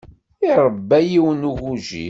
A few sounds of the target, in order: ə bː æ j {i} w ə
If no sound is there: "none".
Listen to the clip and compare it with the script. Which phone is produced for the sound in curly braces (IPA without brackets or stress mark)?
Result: i